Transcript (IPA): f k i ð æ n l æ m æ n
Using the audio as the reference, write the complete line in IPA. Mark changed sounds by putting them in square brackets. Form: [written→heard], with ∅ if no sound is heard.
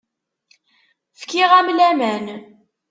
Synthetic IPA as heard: f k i [ð→ʁ] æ [n→m] l æ m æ n

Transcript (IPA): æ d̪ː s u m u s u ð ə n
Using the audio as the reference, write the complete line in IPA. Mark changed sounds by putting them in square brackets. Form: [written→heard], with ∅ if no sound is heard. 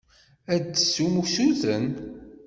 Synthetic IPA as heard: æ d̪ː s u m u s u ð ə n

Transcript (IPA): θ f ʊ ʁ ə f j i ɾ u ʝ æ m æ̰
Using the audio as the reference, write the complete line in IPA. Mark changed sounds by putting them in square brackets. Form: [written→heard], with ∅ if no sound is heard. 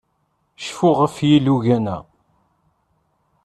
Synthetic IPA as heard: [θ→ʃ] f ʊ ʁ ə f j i [ɾ→l] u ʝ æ [m→n] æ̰

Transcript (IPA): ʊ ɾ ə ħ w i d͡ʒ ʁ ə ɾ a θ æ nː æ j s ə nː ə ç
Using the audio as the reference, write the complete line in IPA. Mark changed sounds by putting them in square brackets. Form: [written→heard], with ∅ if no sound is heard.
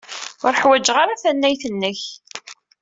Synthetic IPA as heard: ʊ ɾ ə ħ w [i→æ] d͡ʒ ʁ [ə→a] ɾ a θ æ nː æ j [s→θ] ə nː ə ç

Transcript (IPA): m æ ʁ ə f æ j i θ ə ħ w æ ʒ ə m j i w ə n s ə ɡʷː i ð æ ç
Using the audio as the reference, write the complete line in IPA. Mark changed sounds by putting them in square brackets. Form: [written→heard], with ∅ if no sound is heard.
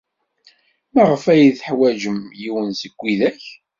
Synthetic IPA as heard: m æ ʁ ə f æ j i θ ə ħ w æ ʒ ə m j i w ə n s ə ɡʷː i ð æ ç

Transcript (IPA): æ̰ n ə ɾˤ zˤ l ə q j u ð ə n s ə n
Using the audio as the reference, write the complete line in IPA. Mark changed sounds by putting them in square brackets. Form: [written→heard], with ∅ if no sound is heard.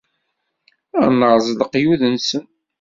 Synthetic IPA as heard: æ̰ n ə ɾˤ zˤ l ə q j u ð ə n s ə n

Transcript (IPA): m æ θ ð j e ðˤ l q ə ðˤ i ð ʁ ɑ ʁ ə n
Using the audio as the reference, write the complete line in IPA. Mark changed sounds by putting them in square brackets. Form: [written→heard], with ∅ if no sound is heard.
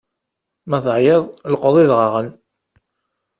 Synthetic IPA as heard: m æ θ [ð→ʕ] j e ðˤ l q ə ðˤ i ð ʁ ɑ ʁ ə n

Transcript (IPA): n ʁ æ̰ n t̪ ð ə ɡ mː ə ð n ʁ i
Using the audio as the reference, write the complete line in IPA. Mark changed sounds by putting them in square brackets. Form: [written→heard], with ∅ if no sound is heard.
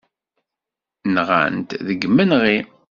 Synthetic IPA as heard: n ʁ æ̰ n t̪ ð ə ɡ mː ə [ð→∅] n ʁ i

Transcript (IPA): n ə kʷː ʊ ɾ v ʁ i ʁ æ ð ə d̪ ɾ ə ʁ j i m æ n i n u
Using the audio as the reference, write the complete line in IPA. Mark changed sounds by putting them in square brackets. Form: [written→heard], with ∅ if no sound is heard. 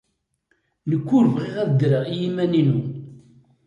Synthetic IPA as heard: n ə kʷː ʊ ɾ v ʁ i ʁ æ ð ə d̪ ɾ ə ʁ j i m æ n i n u

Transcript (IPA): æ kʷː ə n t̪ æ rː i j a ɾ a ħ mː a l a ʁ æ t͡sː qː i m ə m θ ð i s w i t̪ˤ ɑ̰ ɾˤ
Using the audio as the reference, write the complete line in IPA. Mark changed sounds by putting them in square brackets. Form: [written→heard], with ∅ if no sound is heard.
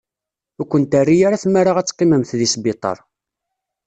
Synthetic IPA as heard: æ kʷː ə n t̪ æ rː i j a ɾ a [ħ→θ] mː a [l→ɾ] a ʁ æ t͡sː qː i m ə m θ ð i s [w→b] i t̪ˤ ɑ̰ ɾˤ

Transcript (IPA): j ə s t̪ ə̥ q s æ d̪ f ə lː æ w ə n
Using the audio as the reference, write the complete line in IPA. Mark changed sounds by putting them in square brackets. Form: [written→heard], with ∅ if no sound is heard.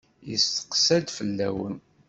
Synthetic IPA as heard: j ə s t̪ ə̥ q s æ d̪ f ə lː æ w ə n

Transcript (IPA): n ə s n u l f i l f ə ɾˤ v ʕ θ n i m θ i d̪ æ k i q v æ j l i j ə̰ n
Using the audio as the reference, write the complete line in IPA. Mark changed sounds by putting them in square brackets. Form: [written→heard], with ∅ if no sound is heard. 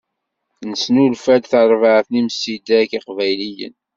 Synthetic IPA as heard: n ə s n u l f [i→æ] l [f→θ] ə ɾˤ v ʕ θ n i m [θ→s] i d̪ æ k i q v æ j l i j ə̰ n

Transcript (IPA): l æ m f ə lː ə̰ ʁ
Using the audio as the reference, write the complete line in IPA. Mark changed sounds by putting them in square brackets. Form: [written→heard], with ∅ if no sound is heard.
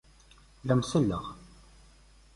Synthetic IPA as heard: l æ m [f→s] ə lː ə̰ ʁ

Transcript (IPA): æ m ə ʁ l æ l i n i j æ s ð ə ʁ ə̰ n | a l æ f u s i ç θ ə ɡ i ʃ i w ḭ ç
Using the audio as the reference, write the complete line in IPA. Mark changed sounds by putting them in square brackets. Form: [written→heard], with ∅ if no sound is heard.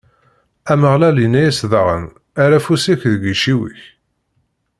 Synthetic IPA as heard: æ m ə ʁ l æ l i n [i→æ] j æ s ð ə ʁ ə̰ n | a [l→ɾ] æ f u s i ç [θ→ð] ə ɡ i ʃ i w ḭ ç

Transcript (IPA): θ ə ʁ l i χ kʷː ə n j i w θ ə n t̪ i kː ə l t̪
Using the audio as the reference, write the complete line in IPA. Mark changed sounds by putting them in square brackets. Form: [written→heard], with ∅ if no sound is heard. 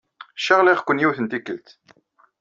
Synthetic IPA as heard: [θ→ʃ] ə ʁ l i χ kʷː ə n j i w θ ə n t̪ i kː ə l t̪

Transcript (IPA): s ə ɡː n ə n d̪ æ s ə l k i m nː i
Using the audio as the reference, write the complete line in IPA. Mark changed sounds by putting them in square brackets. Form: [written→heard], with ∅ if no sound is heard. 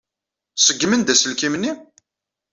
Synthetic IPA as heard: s ə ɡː [n→m] ə n d̪ æ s ə l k i m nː i

